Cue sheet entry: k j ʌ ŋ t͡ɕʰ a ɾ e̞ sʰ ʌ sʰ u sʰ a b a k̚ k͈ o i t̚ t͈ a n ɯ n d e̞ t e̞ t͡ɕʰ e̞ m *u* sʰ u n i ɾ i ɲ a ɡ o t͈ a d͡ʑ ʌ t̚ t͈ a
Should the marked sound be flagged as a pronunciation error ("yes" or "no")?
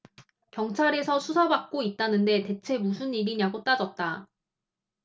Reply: no